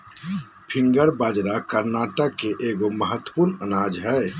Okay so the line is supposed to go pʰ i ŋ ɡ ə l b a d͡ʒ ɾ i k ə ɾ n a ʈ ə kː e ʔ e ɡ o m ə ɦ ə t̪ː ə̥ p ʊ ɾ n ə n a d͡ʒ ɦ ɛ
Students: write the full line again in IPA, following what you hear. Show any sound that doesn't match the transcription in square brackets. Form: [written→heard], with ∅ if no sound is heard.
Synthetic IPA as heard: pʰ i ŋ ɡ ə [l→ɾ] b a d͡ʒ ɾ [i→a] k ə ɾ n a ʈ ə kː e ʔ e ɡ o m ə ɦ ə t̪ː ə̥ p [ʊ→u] ɾ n ə n a d͡ʒ ɦ ɛ

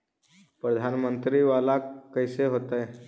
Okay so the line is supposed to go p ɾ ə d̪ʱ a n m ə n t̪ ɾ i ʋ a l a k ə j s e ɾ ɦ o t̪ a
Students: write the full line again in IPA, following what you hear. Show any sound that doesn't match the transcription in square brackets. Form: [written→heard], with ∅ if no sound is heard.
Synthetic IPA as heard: p ɾ ə d̪ʱ a n m ə n t̪ ɾ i ʋ a l a k ə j s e [ɾ→∅] ɦ o t̪ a

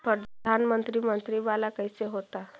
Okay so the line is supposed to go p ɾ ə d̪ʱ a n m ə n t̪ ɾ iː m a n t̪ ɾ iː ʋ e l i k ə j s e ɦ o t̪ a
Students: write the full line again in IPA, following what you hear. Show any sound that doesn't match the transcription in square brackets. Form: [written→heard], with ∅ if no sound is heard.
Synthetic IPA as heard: p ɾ ə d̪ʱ a n m ə n t̪ ɾ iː m [a→ə] n t̪ ɾ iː ʋ [e→a] l [i→a] k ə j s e ɦ o t̪ a

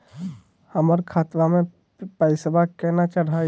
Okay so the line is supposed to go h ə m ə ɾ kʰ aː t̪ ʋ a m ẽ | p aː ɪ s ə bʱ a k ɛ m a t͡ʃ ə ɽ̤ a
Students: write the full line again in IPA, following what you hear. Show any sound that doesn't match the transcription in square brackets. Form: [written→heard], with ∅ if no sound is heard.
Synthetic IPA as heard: h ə m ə ɾ kʰ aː t̪ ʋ a m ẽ | p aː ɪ s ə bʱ a k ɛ [m→n] a t͡ʃ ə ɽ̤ a

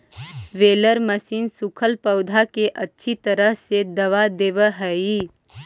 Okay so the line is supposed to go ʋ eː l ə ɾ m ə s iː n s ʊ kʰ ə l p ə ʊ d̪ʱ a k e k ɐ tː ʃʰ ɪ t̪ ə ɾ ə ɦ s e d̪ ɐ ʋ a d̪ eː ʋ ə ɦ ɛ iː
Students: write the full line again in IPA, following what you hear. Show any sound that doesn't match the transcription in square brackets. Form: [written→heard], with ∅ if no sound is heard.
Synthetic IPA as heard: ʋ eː l ə ɾ m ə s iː n s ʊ kʰ ə l p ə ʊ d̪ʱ a k e [k→ʔ] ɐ tː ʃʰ [ɪ→i] t̪ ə ɾ ə ɦ s e d̪ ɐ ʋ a d̪ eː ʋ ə ɦ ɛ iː

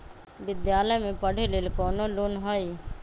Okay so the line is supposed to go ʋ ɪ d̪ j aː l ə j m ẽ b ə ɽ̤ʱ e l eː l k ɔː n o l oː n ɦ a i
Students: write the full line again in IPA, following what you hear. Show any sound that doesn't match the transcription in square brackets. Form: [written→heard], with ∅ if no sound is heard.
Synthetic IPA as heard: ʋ ɪ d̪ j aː l ə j m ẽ [b→p] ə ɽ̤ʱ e l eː l k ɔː n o l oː n ɦ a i

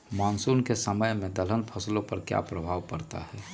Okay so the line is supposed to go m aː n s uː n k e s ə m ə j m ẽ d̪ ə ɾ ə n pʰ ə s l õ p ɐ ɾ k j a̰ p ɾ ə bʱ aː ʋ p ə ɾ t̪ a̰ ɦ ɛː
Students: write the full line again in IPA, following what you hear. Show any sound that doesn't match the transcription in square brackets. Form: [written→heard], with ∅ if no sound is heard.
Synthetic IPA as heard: m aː n s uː n k e s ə m ə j m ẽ d̪ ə [ɾ→l] ə n pʰ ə s l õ p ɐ ɾ k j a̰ p ɾ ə bʱ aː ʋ p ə ɾ t̪ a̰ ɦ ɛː

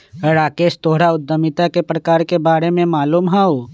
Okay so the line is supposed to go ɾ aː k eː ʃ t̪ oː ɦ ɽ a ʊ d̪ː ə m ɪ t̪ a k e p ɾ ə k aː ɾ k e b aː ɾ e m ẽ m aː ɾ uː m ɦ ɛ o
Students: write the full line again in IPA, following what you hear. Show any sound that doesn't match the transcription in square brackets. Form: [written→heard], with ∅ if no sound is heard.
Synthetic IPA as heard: ɾ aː k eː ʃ t̪ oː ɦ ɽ a ʊ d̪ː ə m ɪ t̪ a k e p ɾ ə k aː ɾ k e b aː ɾ e m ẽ m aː [ɾ→l] uː m ɦ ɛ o

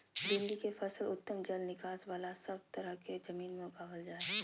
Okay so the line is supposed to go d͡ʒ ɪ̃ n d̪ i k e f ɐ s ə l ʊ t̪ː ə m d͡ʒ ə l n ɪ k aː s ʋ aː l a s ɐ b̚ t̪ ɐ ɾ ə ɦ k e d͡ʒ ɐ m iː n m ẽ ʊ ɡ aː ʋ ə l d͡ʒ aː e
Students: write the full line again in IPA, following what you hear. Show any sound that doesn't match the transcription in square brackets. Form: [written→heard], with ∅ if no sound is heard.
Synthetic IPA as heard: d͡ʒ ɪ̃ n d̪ i k e f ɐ s ə l ʊ t̪ː ə m d͡ʒ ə l n ɪ k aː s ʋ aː l a s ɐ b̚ t̪ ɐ ɾ ə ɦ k e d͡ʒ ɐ m iː n m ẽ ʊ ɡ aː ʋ ə l d͡ʒ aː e

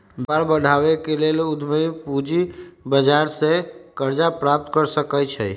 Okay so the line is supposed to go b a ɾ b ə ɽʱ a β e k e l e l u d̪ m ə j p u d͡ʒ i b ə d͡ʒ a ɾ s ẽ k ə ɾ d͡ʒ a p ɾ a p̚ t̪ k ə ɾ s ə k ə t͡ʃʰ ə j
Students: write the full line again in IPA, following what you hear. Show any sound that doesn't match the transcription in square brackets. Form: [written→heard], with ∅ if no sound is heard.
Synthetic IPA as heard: b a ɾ b ə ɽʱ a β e k e l e l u d̪ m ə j p u d͡ʒ i b ə d͡ʒ a ɾ s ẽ k ə ɾ d͡ʒ a p ɾ a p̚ t̪ k ə ɾ s ə k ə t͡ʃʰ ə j

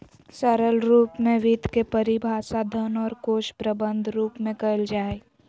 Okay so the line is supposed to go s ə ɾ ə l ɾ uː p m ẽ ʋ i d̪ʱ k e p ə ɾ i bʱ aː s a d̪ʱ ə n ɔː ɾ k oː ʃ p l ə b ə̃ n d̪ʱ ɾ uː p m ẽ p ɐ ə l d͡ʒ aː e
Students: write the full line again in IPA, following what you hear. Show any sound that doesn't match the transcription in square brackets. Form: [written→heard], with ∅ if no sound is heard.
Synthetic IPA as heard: s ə ɾ ə l ɾ uː p m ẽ ʋ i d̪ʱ k e p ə ɾ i bʱ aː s a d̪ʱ ə n ɔː ɾ k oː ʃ p [l→ɾ] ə b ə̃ n d̪ʱ ɾ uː p m ẽ [p→k] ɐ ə l d͡ʒ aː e

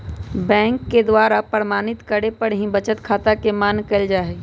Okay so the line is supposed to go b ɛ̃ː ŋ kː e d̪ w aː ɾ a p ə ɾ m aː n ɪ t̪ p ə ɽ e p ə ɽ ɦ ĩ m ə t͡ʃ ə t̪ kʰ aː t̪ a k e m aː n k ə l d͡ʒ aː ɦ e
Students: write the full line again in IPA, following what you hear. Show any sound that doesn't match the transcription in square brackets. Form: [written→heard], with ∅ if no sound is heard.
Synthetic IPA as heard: b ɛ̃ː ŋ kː e d̪ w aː ɾ a p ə ɾ m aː n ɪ t̪ [p→k] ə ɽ e p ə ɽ ɦ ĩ [m→b] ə t͡ʃ ə t̪ kʰ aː t̪ a k e m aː n k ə l d͡ʒ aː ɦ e

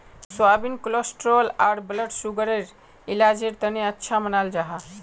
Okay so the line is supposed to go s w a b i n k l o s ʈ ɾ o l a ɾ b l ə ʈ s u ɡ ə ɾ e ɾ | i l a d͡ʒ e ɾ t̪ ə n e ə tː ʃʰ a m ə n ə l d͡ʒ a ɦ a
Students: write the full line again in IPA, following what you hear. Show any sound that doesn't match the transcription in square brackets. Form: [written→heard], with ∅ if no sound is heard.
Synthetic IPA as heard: s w a b i n k l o s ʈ ɾ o l a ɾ b l ə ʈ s u ɡ ə ɾ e ɾ | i l a d͡ʒ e ɾ t̪ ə n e ə tː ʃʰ a m ə n [ə→a] l d͡ʒ a ɦ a

